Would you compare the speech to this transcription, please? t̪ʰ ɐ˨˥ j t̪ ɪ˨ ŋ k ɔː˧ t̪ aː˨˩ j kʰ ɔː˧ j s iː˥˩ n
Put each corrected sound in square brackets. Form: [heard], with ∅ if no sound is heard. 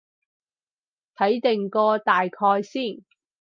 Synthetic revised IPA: t̪ʰ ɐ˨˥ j t̪ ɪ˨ ŋ k ɔː˧ t̪ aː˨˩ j kʰ ɔː˧ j s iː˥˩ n